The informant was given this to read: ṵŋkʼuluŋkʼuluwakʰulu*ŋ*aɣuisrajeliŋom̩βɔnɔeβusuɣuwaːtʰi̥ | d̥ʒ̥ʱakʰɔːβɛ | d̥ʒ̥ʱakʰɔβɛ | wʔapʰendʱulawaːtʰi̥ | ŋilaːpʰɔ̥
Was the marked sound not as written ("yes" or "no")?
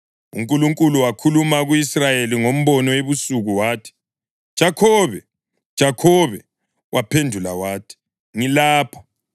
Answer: yes